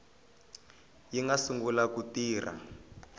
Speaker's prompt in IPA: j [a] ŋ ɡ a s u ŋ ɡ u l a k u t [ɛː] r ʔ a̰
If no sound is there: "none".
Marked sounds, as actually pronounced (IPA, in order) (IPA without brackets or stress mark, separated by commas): i, iː